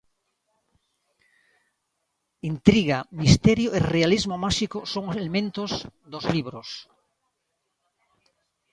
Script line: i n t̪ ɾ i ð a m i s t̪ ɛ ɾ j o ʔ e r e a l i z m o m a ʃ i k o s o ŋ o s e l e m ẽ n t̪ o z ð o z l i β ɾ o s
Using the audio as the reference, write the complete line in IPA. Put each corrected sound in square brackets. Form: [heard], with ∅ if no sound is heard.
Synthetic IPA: i n t̪ ɾ i [ɣ] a m i s t̪ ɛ ɾ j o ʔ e r e a l i z m o m a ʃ i k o s o ŋ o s e l e m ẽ n t̪ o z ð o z l i β ɾ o s